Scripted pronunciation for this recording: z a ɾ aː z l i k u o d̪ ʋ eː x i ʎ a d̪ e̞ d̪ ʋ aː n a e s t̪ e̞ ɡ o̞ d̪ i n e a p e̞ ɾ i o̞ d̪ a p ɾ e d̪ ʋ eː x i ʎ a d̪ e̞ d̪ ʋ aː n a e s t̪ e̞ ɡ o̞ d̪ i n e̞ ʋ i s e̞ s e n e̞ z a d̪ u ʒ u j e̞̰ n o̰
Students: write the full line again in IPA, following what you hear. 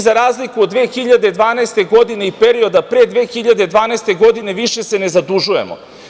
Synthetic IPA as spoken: z a ɾ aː z l i k u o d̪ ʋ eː x i ʎ a d̪ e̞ d̪ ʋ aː n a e s t̪ e̞ ɡ o̞ d̪ i n e i p e̞ ɾ i o̞ d̪ a p ɾ e d̪ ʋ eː x i ʎ a d̪ e̞ d̪ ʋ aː n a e s t̪ e̞ ɡ o̞ d̪ i n e̞ ʋ i ʃ e̞ s e n e̞ z a d̪ u ʒ u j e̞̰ m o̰